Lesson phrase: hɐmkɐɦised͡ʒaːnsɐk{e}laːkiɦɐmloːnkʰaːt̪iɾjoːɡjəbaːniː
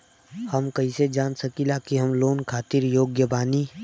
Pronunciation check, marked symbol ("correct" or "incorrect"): incorrect